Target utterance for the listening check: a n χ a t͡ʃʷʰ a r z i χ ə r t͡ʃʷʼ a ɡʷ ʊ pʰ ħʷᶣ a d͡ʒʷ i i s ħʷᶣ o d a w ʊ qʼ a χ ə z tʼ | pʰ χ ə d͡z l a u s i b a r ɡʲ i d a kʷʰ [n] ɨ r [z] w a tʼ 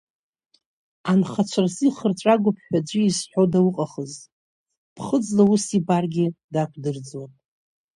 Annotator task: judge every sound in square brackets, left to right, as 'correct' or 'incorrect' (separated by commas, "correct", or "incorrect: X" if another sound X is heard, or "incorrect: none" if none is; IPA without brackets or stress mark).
incorrect: d, incorrect: d͡z